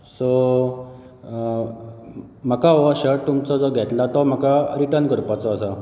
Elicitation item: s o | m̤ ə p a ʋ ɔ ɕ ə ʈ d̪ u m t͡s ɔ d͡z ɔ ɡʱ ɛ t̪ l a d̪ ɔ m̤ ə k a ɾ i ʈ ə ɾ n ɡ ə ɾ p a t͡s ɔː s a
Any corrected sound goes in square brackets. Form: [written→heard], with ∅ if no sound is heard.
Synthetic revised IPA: s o | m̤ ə [p→k] a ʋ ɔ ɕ ə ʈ [d̪→t̪] u m t͡s ɔ d͡z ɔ ɡʱ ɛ t̪ l a [d̪→t̪] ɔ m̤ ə k a ɾ i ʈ ə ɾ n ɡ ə ɾ p a t͡s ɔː s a